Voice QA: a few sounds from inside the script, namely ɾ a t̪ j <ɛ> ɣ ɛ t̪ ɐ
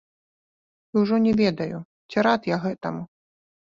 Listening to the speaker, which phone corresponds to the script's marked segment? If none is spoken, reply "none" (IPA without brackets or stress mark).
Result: a